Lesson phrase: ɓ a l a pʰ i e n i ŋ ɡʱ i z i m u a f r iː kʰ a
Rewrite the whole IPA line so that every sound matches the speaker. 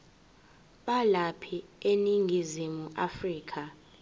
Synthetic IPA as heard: ɓ a l a pʰ i e n i ŋ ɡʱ i z i m u a f r iː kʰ a